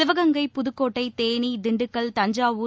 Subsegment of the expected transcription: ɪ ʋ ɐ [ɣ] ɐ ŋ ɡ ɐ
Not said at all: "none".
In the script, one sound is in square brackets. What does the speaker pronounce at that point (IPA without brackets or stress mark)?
ɣ